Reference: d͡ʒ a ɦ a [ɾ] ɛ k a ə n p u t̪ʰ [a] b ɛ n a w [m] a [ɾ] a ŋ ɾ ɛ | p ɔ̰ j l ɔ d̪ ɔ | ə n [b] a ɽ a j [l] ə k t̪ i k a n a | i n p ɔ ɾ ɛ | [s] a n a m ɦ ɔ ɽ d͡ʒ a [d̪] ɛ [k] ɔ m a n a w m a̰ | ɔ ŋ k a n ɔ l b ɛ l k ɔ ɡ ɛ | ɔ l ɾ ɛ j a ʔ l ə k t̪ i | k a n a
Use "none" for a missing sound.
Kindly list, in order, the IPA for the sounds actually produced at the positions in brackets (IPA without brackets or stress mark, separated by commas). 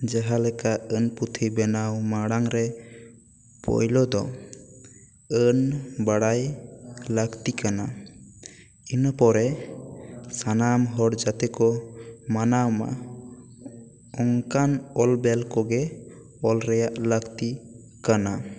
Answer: l, i, m, ɽ, b, l, s, t̪, k